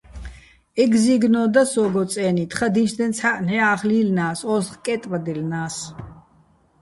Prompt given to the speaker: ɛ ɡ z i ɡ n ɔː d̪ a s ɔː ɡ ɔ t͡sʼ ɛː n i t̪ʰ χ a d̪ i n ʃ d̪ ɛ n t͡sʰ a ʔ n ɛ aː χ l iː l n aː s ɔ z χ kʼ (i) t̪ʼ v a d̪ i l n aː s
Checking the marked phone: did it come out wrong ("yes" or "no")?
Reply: yes